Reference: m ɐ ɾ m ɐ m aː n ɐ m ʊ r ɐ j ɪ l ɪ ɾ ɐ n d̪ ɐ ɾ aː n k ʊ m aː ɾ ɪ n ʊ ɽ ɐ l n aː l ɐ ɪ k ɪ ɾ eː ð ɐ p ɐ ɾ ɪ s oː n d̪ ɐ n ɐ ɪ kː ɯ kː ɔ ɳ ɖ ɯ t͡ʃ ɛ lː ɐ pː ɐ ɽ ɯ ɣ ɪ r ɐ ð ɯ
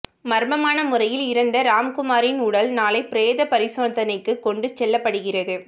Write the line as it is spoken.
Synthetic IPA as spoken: m ɐ ɾ m ɐ m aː n ɐ m ʊ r ɐ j ɪ l ɪ ɾ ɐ n d̪ ɐ ɾ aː m k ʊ m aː ɾ ɪ n ʊ ɽ ɐ l n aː l ɐ ɪ p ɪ ɾ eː ð ɐ p ɐ ɾ ɪ s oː n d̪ ɐ n ɐ ɪ kː ɯ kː ɔ ɳ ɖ ɯ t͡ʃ ɛ lː ɐ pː ɐ ɽ ɯ ɣ ɪ r ɐ ð ɯ

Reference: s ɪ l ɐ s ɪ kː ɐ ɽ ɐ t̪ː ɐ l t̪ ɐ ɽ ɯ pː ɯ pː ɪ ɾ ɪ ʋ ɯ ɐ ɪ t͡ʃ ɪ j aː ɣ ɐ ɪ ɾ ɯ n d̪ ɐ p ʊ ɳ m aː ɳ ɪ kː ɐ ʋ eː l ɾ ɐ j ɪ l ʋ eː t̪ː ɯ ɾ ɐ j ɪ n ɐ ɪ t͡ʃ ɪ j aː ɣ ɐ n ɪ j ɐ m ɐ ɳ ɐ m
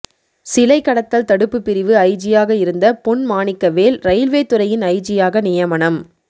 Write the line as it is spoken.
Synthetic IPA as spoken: s ɪ l ɐ ɪ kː ɐ ɽ ɐ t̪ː ɐ l t̪ ɐ ɽ ɯ pː ɯ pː ɪ ɾ ɪ ʋ ɯ ɐ ɪ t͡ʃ ɪ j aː ɣ ɐ ɪ ɾ ɯ n d̪ ɐ p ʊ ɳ m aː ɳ ɪ kː ɐ ʋ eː l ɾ ɐ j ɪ l ʋ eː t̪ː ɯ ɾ ɐ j ɪ n ɐ ɪ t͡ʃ ɪ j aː ɣ ɐ n ɪ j ɐ m ɐ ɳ ɐ m

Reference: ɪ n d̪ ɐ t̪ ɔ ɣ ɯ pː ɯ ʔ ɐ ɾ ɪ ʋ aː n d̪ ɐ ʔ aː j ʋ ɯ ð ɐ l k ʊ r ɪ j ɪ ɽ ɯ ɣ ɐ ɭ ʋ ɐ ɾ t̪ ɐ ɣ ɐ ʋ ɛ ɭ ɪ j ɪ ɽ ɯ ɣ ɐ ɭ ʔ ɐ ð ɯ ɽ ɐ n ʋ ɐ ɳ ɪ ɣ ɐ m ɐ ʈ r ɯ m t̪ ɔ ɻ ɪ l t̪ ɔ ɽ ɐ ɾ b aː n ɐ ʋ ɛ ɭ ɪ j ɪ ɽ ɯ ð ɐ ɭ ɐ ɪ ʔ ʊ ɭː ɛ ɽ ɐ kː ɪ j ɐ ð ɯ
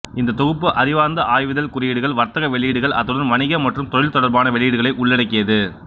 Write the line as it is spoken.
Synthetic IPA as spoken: ɪ n d̪ ɐ t̪ ɔ ɣ ɯ pː ɯ ʔ ɐ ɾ ɪ ʋ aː n d̪ ɐ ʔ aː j ʋ ɯ ð ɐ l k ʊ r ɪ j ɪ ɽ ɯ ɣ ɐ ɭ ʋ ɐ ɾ t̪ ɐ ɣ ɐ ʋ ɛ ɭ ɪ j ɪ ɽ ɯ ɣ ɐ ɭ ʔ ɐ ð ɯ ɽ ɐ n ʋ ɐ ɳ ɪ ɣ ɐ m ɐ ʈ r ɯ m t̪ ɔ ɻ ɪ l t̪ ɔ ɽ ɐ ɾ b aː n ɐ ʋ ɛ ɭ ɪ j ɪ ɽ ɯ ɣ ɐ ɭ ɐ ɪ ʔ ʊ ɭː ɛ ɽ ɐ kː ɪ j ɐ ð ɯ

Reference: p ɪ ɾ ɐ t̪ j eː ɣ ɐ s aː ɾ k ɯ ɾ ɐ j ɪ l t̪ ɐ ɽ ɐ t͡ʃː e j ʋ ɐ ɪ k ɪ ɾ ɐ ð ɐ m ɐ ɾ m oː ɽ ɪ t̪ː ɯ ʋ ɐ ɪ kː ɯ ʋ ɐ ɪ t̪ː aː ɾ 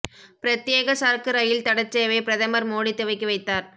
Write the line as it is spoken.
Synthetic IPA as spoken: p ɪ ɾ ɐ t̪ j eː ɣ ɐ s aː ɾ k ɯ ɾ ɐ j ɪ l t̪ ɐ ɽ ɐ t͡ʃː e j ʋ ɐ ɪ p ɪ ɾ ɐ ð ɐ m ɐ ɾ m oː ɽ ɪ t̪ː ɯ ʋ ɐ ɪ kː ɯ ʋ ɐ ɪ t̪ː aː ɾ

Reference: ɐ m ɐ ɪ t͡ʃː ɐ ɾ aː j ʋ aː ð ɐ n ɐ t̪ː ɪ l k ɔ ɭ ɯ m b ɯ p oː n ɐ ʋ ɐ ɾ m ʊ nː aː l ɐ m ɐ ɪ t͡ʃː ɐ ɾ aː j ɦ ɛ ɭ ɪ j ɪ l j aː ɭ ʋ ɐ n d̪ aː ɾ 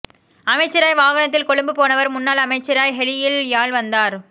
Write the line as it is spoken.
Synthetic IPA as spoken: ɐ m ɐ ɪ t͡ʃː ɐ ɾ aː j ʋ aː ɣ ɐ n ɐ t̪ː ɪ l k ɔ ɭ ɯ m b ɯ p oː n ɐ ʋ ɐ ɾ m ʊ nː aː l ɐ m ɐ ɪ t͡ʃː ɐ ɾ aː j ɦ ɛ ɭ ɪ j ɪ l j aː ɭ ʋ ɐ n d̪ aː ɾ

